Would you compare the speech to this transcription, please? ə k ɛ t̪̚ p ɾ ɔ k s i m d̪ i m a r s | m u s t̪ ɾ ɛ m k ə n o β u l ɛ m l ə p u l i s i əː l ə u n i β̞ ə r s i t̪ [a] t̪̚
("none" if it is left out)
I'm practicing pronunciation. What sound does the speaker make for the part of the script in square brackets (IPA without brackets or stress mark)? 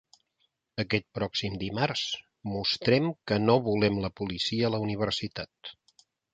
a